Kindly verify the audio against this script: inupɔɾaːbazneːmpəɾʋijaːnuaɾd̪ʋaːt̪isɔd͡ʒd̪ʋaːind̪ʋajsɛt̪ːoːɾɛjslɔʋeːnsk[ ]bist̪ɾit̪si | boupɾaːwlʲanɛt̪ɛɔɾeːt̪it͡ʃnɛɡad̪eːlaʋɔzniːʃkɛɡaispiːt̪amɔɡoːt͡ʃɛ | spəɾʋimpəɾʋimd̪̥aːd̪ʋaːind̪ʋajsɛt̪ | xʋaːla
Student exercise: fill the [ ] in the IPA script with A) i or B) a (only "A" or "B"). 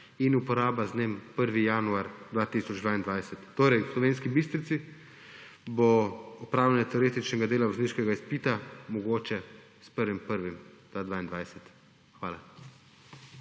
A